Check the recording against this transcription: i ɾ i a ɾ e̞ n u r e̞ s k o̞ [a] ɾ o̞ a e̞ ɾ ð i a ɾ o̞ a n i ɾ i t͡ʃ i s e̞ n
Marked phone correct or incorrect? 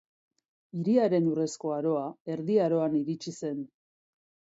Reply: correct